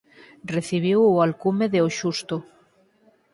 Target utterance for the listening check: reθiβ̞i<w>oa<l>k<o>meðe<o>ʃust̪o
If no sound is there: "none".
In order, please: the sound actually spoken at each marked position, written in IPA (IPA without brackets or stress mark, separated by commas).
w, l, u, o